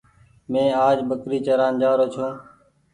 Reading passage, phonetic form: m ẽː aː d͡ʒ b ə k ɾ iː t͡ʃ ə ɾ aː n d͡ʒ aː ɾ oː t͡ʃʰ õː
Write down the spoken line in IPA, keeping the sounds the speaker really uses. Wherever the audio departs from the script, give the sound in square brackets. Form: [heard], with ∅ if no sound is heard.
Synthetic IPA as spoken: m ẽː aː d͡ʒ b ə k ɾ iː t͡ʃ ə ɾ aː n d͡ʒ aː ɾ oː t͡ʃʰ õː